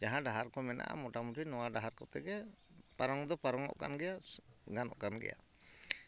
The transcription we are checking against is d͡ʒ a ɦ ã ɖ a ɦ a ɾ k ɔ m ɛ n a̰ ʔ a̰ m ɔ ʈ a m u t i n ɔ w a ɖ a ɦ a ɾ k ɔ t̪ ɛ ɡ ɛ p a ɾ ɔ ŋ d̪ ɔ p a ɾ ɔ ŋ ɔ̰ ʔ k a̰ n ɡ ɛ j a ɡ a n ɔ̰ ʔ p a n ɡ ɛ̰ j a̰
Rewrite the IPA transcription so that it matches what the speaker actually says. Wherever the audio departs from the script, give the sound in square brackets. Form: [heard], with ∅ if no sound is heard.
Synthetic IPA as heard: d͡ʒ a ɦ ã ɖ a ɦ a ɾ k ɔ m ɛ n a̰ ʔ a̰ m ɔ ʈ a m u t i n ɔ w a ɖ a ɦ a ɾ k ɔ t̪ ɛ ɡ ɛ p a ɾ ɔ ŋ d̪ ɔ p a ɾ ɔ ŋ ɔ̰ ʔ k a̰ n ɡ ɛ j a ɡ a n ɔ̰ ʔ [k] a n ɡ ɛ̰ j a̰